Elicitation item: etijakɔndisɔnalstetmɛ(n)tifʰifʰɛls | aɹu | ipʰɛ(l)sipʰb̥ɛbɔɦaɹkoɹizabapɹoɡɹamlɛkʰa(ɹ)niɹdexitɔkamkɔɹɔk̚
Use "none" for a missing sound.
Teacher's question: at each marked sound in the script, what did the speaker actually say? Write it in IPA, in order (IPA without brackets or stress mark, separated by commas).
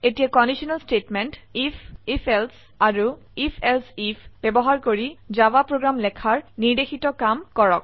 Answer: n, l, ɹ